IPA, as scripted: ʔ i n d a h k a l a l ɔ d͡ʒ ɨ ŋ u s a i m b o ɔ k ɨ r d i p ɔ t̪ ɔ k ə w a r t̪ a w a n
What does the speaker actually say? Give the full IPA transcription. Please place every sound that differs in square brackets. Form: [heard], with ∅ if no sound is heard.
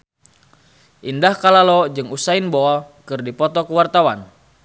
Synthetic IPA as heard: ʔ i n d a h k a l a l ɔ d͡ʒ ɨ ŋ u s a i [n] b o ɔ k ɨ r d i p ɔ t̪ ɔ k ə w a r t̪ a w a n